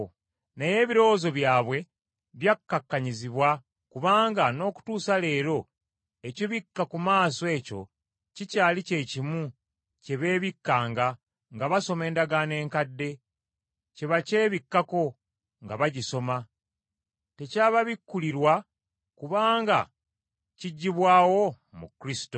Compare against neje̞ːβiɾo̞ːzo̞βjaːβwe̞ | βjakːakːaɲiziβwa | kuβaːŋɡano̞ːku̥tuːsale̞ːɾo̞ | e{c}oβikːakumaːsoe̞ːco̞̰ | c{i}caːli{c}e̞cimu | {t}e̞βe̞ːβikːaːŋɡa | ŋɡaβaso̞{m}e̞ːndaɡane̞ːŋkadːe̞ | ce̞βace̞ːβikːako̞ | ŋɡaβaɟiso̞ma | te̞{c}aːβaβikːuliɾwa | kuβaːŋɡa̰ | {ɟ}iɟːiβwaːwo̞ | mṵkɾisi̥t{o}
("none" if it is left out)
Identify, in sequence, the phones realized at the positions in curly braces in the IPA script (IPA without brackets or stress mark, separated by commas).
c, i, c, c, m, c, c, o